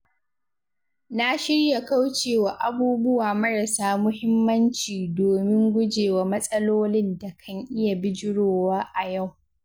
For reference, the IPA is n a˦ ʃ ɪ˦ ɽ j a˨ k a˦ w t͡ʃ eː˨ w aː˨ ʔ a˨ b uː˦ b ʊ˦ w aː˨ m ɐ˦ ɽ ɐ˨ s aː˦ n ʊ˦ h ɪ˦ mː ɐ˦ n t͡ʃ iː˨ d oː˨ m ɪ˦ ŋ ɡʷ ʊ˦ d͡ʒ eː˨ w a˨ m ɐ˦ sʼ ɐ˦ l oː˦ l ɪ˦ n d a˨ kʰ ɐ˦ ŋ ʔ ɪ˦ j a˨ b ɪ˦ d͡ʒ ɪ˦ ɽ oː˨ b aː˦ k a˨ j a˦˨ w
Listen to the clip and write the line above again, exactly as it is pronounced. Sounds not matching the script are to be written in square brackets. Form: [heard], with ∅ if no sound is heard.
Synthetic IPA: n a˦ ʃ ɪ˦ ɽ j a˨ k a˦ w t͡ʃ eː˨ w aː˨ ʔ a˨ b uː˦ b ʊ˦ w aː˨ m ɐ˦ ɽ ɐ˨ s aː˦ [m] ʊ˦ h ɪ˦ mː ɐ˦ n t͡ʃ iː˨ d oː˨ m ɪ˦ ŋ ɡʷ ʊ˦ d͡ʒ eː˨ w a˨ m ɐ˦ sʼ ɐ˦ l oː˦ l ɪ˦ n d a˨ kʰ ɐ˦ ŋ ʔ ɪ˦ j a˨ b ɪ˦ d͡ʒ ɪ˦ ɽ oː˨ [w] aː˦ [ʔ] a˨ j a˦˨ w